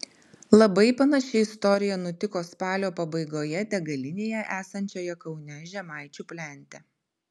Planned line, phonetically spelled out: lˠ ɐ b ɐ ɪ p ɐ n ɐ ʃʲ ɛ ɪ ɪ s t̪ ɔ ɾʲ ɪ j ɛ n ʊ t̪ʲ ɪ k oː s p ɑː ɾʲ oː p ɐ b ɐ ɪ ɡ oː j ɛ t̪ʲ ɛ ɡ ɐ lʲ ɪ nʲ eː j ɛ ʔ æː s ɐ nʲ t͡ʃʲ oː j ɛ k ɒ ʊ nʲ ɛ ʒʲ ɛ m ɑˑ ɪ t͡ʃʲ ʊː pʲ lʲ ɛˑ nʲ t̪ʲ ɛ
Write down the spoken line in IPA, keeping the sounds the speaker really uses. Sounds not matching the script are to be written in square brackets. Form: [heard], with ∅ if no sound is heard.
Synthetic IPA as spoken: lˠ ɐ b ɐ ɪ p ɐ n ɐ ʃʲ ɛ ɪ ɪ s t̪ ɔ ɾʲ ɪ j ɛ n ʊ t̪ʲ ɪ k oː s p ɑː [lʲ] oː p ɐ b ɐ ɪ ɡ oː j ɛ t̪ʲ ɛ ɡ ɐ lʲ ɪ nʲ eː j ɛ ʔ æː s ɐ nʲ t͡ʃʲ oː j ɛ k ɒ ʊ nʲ ɛ ʒʲ ɛ m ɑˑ ɪ t͡ʃʲ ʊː pʲ lʲ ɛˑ nʲ t̪ʲ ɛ

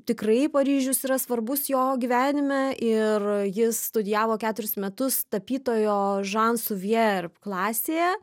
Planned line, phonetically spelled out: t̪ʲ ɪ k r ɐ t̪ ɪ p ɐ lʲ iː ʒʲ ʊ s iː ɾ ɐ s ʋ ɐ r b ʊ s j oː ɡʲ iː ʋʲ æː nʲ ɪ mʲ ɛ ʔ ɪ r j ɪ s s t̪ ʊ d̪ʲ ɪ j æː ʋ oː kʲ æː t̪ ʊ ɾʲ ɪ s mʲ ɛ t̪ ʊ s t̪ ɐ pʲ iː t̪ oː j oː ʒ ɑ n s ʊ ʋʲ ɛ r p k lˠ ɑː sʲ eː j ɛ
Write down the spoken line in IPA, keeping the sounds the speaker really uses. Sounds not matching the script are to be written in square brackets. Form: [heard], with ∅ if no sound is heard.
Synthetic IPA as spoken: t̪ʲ ɪ k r ɐ [∅] ɪ p ɐ [ɾʲ] iː ʒʲ ʊ s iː ɾ ɐ s ʋ ɐ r b ʊ s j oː ɡʲ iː ʋʲ æː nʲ ɪ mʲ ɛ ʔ ɪ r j ɪ s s t̪ ʊ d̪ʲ ɪ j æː ʋ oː kʲ æː t̪ ʊ ɾʲ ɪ s mʲ ɛ t̪ ʊ s t̪ ɐ pʲ iː t̪ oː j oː ʒ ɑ n s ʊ ʋʲ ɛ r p k lˠ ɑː sʲ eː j ɛ

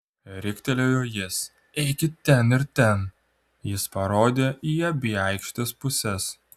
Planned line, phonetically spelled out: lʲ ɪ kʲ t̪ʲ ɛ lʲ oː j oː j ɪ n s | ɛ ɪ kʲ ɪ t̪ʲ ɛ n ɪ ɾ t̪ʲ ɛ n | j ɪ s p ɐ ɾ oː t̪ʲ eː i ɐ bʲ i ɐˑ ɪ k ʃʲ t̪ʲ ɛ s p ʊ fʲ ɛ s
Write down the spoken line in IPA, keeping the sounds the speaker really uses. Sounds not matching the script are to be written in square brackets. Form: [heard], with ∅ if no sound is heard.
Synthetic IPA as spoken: [ɾʲ] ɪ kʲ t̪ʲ ɛ lʲ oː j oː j ɪ [∅] s | ɛ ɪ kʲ ɪ t̪ʲ ɛ n ɪ ɾ t̪ʲ ɛ n | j ɪ s p ɐ ɾ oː [d̪ʲ] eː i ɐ bʲ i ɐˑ ɪ k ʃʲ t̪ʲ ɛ s p ʊ [sʲ] ɛ s

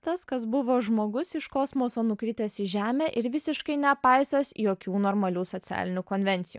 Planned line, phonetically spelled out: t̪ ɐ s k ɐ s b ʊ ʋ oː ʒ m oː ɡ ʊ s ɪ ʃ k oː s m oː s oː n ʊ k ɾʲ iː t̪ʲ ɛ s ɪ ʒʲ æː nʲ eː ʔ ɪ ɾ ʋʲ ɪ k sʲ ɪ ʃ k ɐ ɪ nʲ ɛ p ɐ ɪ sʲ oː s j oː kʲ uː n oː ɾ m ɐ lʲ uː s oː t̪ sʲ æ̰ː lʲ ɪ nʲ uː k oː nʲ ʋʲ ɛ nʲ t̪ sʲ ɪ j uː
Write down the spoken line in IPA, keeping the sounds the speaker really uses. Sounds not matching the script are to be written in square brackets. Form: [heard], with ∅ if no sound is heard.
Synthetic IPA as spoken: t̪ ɐ s k ɐ s b ʊ ʋ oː ʒ m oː ɡ ʊ s ɪ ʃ k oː s m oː s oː n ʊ k ɾʲ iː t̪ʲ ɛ s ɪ ʒʲ æː [mʲ] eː ʔ ɪ ɾ ʋʲ ɪ [∅] sʲ ɪ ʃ k ɐ ɪ nʲ ɛ p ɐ ɪ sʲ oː s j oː kʲ uː n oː ɾ m ɐ lʲ uː s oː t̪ sʲ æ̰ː lʲ ɪ nʲ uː k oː nʲ ʋʲ ɛ nʲ t̪ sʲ ɪ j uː

